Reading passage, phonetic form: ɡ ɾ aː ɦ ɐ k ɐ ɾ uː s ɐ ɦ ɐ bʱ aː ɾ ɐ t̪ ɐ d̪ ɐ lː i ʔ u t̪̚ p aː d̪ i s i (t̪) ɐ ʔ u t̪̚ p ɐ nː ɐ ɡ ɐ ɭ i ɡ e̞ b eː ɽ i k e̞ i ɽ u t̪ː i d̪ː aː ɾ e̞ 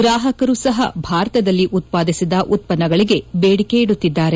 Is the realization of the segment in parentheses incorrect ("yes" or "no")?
yes